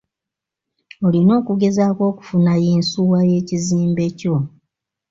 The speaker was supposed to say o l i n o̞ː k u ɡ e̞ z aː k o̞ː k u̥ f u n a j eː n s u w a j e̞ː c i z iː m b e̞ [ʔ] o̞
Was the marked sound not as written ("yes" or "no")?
yes